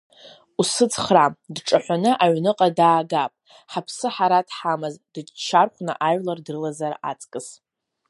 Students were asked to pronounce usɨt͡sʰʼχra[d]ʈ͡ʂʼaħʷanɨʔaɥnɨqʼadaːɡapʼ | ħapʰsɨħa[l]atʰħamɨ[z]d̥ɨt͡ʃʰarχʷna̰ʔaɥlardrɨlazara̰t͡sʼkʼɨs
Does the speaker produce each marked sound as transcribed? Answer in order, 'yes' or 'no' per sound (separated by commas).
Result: yes, no, yes